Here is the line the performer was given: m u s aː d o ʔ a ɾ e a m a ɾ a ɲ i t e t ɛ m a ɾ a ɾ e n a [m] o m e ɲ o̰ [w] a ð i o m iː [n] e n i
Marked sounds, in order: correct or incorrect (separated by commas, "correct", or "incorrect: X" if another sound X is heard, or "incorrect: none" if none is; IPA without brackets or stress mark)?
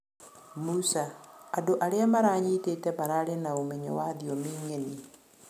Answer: incorrect: none, correct, incorrect: ŋ